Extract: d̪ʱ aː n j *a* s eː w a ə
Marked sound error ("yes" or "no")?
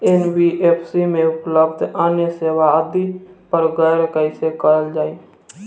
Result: yes